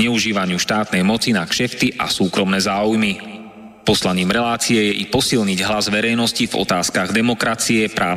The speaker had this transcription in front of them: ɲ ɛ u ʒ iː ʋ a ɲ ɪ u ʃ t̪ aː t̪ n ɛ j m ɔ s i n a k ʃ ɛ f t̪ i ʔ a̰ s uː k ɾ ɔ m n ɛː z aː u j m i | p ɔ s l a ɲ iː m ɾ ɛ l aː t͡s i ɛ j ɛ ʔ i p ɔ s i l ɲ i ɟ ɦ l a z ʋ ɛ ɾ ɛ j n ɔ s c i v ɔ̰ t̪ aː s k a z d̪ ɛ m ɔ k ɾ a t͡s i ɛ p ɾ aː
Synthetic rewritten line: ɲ ɛ u ʒ iː ʋ a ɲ ɪ u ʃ t̪ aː t̪ n ɛ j m ɔ t͡s i n a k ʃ ɛ f t̪ i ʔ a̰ s uː k ɾ ɔ m n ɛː z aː u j m i | p ɔ s l a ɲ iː m ɾ ɛ l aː t͡s i ɛ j ɛ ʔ i p ɔ s i l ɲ i ɟ ɦ l a z ʋ ɛ ɾ ɛ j n ɔ s c i v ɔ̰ t̪ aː s k a ɣ d̪ ɛ m ɔ k ɾ a t͡s i ɛ p ɾ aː